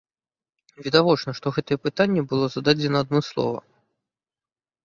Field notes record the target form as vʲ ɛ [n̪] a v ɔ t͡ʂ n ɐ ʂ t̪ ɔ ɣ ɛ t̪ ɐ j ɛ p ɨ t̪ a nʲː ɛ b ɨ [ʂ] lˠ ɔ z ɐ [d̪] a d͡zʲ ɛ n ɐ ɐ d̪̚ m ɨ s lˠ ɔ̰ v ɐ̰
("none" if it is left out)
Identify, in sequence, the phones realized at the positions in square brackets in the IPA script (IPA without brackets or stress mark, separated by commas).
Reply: d̪, none, d̪